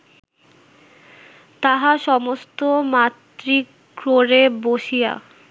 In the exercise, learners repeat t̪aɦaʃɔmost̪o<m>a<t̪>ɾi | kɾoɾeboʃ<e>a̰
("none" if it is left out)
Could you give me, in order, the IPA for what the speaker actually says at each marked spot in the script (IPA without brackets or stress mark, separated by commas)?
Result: m, t̪, i